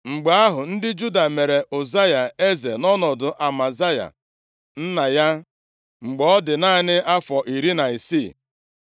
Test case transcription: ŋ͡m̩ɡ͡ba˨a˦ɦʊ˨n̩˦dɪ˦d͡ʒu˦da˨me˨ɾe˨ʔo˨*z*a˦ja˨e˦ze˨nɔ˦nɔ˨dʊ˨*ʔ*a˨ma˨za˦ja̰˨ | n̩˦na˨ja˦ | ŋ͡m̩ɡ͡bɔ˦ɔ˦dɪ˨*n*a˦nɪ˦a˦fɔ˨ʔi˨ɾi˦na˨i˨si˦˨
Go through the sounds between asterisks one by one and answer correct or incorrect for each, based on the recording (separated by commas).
correct, correct, correct